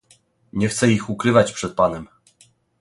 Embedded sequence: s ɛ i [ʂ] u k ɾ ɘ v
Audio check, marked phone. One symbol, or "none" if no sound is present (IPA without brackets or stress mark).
x